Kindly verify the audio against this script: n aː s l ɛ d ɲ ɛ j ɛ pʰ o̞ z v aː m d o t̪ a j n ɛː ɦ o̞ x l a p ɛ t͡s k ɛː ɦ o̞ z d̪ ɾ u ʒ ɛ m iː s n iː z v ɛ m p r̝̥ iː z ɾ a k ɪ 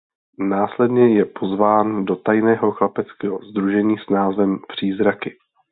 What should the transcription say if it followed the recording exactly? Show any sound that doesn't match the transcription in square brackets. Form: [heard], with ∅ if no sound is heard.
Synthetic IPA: n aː s l ɛ d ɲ ɛ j ɛ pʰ o̞ z v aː [n] d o t̪ a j n ɛː ɦ o̞ x l a p ɛ t͡s k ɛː ɦ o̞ z d̪ ɾ u ʒ ɛ [ɲ] iː s n [aː] z v ɛ m p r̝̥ iː z ɾ a k ɪ

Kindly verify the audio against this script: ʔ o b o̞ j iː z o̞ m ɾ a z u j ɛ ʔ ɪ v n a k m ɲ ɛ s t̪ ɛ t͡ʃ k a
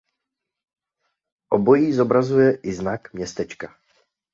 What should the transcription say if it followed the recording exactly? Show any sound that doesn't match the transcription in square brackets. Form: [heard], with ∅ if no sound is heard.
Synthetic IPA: ʔ o b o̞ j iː z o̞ [b] ɾ a z u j ɛ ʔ ɪ [z] n a k m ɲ ɛ s t̪ ɛ t͡ʃ k a

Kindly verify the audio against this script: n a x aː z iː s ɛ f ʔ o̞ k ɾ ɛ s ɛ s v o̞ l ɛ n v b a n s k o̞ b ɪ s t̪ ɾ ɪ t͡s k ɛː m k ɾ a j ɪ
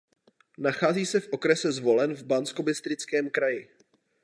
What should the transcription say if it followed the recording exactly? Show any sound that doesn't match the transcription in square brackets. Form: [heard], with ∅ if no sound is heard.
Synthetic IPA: n a x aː z iː s ɛ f ʔ o̞ k ɾ ɛ s ɛ [z] v o̞ l ɛ n v b a n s k o̞ b ɪ s t̪ ɾ ɪ t͡s k ɛː m k ɾ a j ɪ

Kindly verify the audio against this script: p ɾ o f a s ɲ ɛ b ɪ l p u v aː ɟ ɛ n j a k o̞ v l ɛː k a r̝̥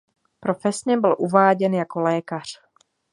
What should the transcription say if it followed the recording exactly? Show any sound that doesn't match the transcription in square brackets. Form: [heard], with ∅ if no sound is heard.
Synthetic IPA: p ɾ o f [ɛ] s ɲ ɛ b ɪ l [ʔ] u v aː ɟ ɛ n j a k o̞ [∅] l ɛː k a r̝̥

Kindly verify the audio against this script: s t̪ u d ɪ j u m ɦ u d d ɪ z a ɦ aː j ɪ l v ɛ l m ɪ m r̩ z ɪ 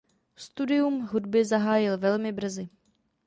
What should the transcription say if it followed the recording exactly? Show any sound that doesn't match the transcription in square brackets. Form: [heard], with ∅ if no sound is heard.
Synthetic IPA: s t̪ u d ɪ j u m ɦ u d [b] ɪ z a ɦ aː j ɪ l v ɛ l m ɪ [b] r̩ z ɪ

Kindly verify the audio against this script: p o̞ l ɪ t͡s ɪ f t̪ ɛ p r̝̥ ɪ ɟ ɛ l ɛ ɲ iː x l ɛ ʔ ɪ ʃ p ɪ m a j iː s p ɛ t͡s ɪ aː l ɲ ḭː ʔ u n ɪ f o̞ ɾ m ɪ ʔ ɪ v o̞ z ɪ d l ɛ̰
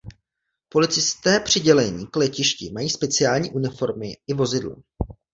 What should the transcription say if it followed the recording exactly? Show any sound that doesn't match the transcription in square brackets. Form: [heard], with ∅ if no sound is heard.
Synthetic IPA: p o̞ l ɪ t͡s ɪ [s] t̪ [ɛː] p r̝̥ ɪ ɟ ɛ l ɛ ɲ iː [k] l ɛ [c] ɪ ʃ [c] ɪ m a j iː s p ɛ t͡s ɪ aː l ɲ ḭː ʔ u n ɪ f o̞ ɾ m ɪ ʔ ɪ v o̞ z ɪ d l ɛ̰

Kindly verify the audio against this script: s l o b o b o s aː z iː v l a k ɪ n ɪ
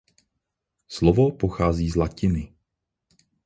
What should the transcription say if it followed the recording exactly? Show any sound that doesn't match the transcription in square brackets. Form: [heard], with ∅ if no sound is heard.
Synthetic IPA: s l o [v] o [p] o [x] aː z iː [z] l a [c] ɪ n ɪ

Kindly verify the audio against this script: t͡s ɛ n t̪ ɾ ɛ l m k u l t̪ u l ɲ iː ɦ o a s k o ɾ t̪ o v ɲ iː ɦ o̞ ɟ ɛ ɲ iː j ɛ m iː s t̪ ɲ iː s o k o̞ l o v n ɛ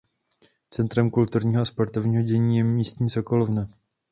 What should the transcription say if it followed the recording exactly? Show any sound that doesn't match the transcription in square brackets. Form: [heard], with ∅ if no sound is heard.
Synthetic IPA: t͡s ɛ n t̪ ɾ ɛ [∅] m k u l t̪ u [ɾ] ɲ iː ɦ o a s [p] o ɾ t̪ o v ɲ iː ɦ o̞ ɟ ɛ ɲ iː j ɛ m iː s t̪ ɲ iː s o k o̞ l o v n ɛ

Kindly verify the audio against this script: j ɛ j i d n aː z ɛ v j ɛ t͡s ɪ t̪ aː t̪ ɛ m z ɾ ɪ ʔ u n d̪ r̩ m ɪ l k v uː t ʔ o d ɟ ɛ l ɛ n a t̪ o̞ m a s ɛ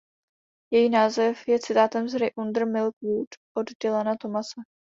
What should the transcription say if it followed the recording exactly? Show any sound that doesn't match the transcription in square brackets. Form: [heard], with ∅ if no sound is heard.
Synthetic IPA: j ɛ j i [∅] n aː z ɛ [f] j ɛ t͡s ɪ t̪ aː t̪ ɛ m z ɾ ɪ ʔ u n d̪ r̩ m ɪ l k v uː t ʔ o d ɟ ɛ l ɛ n a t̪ o̞ m a s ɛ

